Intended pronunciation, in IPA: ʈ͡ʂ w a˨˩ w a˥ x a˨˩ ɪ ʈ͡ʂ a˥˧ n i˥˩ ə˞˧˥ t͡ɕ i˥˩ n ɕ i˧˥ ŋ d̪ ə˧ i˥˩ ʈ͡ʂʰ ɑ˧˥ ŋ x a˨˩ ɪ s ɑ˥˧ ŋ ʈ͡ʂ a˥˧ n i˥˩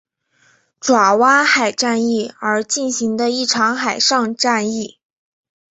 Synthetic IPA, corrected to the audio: ʈ͡ʂ w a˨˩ w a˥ x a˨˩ ɪ ʈ͡ʂ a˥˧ n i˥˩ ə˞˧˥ t͡ɕ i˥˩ n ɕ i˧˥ ŋ d̪ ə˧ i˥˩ ʈ͡ʂʰ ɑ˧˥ ŋ x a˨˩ ɪ ʂ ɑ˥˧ ŋ ʈ͡ʂ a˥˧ n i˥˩